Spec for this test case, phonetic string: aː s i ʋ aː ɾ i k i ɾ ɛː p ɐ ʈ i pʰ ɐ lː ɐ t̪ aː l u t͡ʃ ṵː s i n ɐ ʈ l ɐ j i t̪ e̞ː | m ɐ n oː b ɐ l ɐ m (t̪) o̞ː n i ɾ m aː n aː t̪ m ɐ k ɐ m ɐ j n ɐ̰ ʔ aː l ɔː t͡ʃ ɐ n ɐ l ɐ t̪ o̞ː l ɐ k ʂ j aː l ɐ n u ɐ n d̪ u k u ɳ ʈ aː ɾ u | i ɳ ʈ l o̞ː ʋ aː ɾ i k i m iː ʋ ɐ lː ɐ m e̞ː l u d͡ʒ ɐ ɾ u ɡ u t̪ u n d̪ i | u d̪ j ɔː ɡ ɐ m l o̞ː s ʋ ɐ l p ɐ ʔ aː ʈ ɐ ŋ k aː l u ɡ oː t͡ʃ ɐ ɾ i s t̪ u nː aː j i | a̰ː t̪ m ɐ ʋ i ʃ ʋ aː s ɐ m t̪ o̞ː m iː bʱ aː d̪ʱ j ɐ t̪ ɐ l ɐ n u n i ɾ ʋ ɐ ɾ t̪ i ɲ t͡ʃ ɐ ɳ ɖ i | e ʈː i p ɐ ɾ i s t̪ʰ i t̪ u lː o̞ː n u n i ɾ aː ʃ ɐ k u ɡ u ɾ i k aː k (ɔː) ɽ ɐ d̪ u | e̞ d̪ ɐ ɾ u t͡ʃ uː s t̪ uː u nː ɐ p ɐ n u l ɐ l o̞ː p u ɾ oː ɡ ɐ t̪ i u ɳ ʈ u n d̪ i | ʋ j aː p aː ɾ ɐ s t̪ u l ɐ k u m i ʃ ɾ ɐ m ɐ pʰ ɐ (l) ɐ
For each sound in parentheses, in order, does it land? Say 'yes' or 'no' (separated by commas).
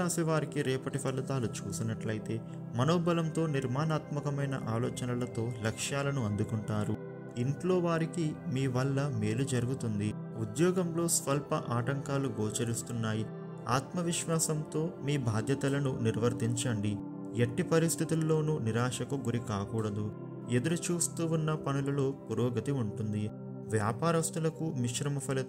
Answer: yes, no, yes